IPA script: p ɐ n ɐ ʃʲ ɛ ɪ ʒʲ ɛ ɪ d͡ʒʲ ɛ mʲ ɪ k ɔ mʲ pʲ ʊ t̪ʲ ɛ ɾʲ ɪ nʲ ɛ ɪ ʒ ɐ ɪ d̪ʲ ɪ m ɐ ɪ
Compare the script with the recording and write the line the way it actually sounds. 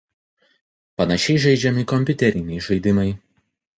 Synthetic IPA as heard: p ɐ n ɐ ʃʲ ɛ ɪ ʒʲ ɛ ɪ d͡ʒʲ ɛ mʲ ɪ k ɔ mʲ pʲ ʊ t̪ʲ ɛ ɾʲ ɪ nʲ ɛ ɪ ʒ ɐ ɪ d̪ʲ ɪ m ɐ ɪ